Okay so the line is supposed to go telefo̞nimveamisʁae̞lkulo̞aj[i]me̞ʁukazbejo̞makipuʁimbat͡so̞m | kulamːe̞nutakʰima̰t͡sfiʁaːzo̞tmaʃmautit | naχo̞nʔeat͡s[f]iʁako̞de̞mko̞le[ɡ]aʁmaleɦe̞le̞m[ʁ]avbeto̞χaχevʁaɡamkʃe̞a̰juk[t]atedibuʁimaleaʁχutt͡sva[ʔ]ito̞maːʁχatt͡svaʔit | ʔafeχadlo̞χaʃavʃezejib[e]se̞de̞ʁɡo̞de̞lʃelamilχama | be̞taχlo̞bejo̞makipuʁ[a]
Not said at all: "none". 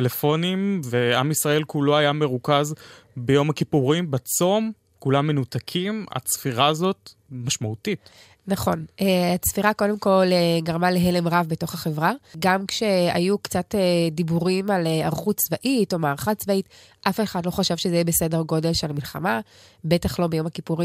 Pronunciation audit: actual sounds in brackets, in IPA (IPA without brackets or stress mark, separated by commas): a, f, ɡ, ʁ, t͡s, ʔ, e, i